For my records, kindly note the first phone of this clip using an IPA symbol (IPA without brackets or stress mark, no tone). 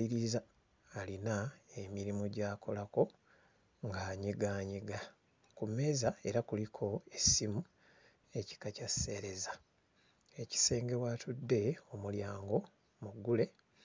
i